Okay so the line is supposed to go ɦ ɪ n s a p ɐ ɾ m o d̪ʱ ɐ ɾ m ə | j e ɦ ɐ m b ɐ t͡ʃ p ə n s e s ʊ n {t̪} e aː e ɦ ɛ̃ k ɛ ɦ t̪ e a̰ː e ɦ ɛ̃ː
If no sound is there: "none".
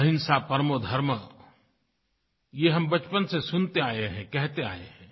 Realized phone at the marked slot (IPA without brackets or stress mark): t̪